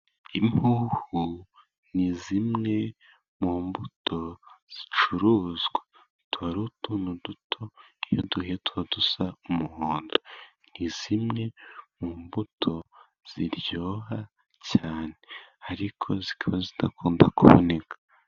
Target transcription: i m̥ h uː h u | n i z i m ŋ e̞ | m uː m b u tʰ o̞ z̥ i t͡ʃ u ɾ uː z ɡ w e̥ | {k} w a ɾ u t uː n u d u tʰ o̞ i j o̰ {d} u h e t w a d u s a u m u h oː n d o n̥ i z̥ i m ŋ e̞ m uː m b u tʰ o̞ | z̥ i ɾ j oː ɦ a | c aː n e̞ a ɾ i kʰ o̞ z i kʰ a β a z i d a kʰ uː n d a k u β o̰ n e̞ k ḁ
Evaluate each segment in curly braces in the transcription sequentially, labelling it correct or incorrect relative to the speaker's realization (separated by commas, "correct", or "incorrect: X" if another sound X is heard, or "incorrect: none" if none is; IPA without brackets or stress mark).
incorrect: t, correct